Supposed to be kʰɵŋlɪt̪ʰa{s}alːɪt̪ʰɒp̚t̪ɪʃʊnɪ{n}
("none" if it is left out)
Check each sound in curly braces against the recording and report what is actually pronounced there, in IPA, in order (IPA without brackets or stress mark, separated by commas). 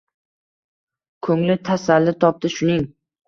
s, ŋ